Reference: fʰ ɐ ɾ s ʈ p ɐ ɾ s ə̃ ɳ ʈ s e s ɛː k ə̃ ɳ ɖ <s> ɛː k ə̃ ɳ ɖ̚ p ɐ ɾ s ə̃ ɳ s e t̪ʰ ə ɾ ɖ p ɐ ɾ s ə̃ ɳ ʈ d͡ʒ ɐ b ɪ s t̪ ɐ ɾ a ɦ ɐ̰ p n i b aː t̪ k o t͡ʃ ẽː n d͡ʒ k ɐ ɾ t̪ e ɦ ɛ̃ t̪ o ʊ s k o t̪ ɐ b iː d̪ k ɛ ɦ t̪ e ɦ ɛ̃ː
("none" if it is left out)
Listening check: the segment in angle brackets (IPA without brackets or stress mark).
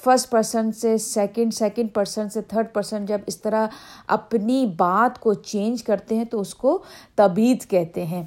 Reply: s